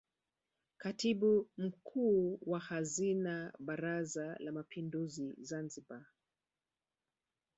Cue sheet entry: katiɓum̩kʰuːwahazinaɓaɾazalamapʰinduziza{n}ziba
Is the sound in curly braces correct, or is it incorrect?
correct